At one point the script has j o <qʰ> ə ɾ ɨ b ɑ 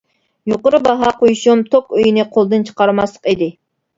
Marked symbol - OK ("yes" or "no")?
no